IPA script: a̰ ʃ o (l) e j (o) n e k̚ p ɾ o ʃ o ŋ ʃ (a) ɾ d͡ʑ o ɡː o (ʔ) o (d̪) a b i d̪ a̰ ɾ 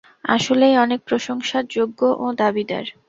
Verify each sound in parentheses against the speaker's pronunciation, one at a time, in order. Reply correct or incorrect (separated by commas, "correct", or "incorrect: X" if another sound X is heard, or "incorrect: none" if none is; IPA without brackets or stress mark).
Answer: correct, incorrect: ɔ, correct, correct, correct